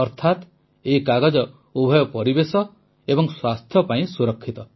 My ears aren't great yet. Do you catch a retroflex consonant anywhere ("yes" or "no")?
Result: no